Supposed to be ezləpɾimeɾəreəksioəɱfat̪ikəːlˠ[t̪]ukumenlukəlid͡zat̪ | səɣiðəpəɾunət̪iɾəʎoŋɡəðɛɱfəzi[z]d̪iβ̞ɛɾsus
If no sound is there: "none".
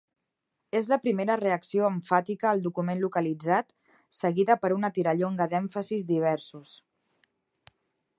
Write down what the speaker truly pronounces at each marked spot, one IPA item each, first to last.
d̪, z

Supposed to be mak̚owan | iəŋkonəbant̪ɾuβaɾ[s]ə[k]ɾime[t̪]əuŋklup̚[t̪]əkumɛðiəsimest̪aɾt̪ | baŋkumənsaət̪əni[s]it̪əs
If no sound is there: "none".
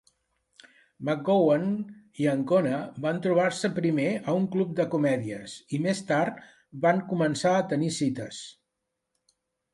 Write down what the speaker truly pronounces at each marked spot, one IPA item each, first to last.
s, p, none, d̪, s

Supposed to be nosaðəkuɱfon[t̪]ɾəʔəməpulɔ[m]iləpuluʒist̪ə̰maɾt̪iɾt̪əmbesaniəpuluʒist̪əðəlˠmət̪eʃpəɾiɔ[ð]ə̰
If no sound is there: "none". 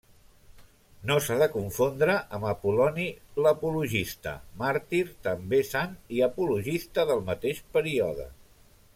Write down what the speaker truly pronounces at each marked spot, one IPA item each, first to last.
d̪, n, ð

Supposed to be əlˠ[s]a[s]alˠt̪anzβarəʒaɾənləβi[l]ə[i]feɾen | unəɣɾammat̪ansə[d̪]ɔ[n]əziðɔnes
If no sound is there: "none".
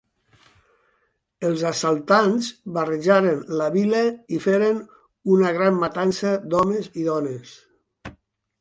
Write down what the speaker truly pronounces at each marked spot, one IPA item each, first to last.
z, s, l, i, d̪, m

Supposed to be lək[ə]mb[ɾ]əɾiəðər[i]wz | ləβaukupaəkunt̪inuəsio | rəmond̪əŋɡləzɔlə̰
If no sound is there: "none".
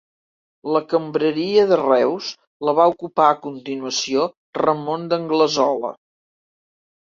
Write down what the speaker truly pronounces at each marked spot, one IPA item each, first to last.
ə, ɾ, ɛ

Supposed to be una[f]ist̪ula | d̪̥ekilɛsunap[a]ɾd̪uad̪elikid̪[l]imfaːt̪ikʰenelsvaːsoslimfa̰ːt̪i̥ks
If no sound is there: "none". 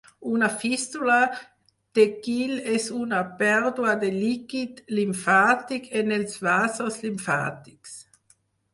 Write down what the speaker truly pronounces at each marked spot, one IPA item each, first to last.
f, ɛ, l

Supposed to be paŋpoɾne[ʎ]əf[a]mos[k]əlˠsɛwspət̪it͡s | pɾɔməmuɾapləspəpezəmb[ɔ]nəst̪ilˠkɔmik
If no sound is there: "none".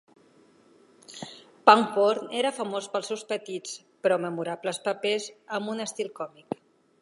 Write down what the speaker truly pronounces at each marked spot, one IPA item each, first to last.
ɾ, ə, p, u

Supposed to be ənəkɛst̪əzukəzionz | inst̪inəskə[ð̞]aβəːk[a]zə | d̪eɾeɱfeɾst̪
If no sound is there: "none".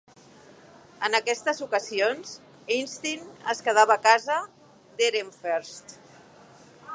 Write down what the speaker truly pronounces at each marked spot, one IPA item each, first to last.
ð̞, a

